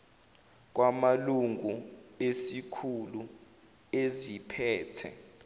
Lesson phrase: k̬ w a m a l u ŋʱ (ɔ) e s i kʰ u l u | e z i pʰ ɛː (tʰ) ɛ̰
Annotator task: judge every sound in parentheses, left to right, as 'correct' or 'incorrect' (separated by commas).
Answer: incorrect, correct